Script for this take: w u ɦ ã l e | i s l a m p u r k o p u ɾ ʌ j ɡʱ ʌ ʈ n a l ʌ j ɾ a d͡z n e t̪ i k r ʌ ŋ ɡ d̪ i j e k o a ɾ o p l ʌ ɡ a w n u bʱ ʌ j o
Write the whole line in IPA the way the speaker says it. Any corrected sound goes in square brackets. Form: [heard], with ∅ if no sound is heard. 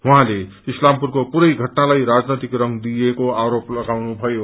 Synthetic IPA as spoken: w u ɦ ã l e | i s l a m p u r k o p u ɾ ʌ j ɡʱ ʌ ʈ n a l [a] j ɾ a d͡z n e t̪ i k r ʌ ŋ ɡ d̪ i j e k o a ɾ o p l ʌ ɡ a w n u bʱ ʌ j o